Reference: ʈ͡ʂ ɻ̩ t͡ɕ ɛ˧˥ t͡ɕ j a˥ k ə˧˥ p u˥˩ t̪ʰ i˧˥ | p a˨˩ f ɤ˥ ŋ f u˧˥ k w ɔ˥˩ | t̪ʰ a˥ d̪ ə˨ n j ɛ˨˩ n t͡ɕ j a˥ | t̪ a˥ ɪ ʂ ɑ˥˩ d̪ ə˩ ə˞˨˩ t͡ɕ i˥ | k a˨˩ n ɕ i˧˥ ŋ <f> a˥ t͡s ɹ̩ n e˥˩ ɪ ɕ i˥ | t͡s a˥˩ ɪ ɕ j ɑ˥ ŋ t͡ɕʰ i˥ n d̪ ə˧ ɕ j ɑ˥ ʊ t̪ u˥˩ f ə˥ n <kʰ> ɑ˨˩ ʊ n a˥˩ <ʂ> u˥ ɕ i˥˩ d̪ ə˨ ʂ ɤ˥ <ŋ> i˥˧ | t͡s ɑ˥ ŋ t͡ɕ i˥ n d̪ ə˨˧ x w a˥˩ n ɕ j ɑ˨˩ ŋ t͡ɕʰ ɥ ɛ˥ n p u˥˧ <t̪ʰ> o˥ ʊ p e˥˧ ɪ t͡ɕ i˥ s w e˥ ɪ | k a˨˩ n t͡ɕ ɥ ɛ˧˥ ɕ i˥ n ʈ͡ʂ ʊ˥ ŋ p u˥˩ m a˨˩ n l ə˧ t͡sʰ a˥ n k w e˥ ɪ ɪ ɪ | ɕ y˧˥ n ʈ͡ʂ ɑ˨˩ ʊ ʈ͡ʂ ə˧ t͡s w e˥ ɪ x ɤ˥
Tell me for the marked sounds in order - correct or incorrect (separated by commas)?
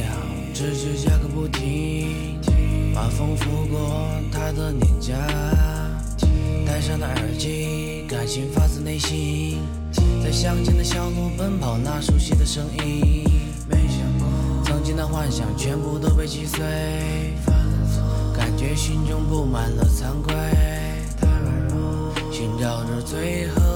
correct, incorrect, correct, correct, incorrect